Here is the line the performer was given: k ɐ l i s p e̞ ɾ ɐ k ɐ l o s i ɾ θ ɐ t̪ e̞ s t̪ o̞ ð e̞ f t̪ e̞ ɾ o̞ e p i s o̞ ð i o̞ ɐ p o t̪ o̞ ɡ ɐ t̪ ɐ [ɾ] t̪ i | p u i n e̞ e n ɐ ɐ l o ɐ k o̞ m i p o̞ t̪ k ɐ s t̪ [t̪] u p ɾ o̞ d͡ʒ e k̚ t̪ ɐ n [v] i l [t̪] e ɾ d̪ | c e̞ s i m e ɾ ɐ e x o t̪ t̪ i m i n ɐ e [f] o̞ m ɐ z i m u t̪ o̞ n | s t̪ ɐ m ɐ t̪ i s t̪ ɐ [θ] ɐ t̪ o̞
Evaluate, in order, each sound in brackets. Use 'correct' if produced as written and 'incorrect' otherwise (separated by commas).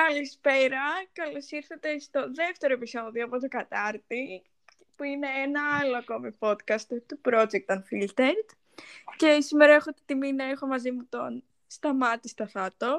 correct, correct, incorrect, correct, incorrect, correct